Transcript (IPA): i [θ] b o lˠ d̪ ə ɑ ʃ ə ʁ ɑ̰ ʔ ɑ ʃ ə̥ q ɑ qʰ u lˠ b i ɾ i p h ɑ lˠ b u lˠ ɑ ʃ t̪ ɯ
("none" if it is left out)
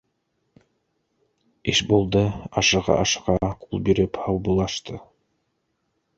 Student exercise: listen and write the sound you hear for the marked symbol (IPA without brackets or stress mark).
ʃ